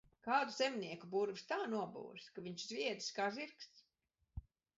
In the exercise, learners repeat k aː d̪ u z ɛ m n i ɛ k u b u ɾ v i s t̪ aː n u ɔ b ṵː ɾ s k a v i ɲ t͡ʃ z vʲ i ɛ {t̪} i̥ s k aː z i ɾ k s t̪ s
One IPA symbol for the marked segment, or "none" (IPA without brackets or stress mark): d̪